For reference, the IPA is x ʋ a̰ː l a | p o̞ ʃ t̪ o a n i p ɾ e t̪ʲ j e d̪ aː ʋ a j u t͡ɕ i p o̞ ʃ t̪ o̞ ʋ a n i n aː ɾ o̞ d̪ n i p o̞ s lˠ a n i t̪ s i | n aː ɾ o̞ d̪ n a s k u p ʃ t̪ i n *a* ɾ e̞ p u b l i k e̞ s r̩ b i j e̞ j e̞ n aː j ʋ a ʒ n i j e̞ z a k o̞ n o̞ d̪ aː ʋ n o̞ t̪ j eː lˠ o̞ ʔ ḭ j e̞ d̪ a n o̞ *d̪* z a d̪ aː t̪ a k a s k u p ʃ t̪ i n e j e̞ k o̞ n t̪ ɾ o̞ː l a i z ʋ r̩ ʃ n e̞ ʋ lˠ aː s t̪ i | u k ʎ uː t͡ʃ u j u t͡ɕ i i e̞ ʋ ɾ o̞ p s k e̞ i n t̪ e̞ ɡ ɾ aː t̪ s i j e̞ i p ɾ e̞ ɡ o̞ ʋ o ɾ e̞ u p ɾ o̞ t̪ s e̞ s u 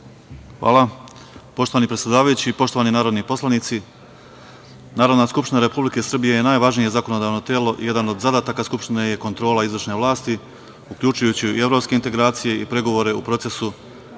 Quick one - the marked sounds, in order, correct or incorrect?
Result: correct, correct

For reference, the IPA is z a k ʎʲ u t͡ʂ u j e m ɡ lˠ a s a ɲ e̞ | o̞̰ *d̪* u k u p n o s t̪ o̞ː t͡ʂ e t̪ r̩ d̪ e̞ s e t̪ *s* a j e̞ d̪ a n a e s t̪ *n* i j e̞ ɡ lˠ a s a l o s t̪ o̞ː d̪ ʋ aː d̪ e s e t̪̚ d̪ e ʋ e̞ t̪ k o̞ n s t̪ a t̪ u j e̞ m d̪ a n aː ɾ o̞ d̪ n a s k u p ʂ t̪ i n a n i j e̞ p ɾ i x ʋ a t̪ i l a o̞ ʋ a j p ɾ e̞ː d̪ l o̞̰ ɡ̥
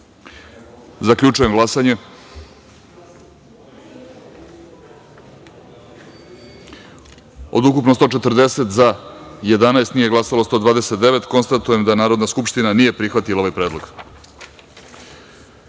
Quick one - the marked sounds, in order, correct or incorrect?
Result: correct, incorrect: z, correct

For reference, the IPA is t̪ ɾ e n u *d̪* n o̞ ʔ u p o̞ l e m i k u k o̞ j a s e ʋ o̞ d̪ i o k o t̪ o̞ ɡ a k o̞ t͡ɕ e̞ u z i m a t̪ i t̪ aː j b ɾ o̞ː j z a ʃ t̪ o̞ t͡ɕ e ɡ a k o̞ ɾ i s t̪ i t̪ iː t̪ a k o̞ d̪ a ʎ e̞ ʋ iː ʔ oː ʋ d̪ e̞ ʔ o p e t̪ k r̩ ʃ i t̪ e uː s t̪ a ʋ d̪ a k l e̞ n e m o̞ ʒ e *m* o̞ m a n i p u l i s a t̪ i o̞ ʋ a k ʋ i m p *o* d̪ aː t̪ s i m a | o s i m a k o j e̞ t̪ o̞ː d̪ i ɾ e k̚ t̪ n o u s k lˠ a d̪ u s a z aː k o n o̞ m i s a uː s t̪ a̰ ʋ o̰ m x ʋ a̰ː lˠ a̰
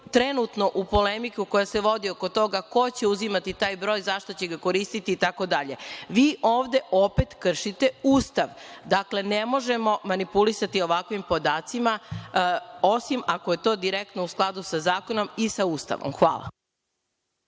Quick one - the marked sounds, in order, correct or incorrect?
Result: incorrect: t̪, correct, correct

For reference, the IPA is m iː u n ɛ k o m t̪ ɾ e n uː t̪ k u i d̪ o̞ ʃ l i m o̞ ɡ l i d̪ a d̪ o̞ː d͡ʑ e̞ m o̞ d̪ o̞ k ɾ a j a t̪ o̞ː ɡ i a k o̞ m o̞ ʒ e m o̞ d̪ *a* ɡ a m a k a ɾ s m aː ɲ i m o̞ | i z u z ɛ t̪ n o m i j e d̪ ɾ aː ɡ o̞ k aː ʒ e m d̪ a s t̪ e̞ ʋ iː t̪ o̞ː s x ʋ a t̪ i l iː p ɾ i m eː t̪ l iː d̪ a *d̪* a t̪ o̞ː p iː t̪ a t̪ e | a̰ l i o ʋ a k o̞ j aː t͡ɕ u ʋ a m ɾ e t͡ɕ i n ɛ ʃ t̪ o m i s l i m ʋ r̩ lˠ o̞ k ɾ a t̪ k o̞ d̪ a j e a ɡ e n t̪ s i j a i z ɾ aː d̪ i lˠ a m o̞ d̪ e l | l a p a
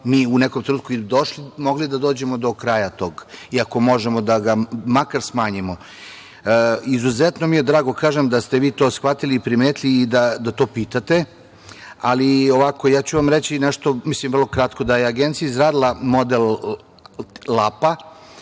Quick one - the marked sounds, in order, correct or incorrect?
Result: correct, correct

